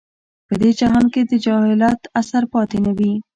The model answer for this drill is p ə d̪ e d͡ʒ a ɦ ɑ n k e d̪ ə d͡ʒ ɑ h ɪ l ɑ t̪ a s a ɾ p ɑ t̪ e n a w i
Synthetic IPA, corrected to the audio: p ə d̪ e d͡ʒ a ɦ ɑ n k e d̪ ə d͡ʒ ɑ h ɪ l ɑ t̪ a s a ɾ p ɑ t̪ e n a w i